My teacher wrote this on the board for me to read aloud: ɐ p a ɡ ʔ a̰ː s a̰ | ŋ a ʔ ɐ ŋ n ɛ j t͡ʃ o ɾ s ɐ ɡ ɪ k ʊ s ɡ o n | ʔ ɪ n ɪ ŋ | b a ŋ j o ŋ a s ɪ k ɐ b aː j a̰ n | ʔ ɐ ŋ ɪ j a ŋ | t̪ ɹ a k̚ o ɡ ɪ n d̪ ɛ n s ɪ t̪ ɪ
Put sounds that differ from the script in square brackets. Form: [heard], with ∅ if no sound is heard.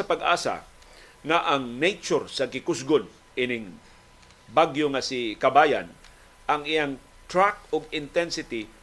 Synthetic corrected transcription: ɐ p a ɡ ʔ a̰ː s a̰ | ŋ a ʔ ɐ ŋ n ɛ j t͡ʃ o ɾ s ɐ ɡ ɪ k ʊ s ɡ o n | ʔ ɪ n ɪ ŋ | b a [ɡ] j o ŋ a s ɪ k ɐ b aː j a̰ n | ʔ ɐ ŋ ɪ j a ŋ | t̪ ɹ a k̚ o ɡ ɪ n [t̪] ɛ n s ɪ t̪ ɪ